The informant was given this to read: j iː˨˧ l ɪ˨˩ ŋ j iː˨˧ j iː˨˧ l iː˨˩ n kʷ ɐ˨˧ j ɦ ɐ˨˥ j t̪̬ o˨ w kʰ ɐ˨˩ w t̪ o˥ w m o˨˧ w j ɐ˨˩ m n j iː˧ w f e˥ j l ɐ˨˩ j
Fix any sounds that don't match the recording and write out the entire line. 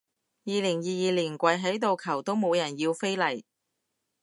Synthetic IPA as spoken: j iː˨˧ l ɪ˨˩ ŋ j iː˨˧ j iː˨˧ l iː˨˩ n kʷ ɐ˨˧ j ɦ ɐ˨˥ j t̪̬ o˨ w kʰ ɐ˨˩ w t̪ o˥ w m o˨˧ w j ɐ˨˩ n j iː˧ w f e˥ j l ɐ˨˩ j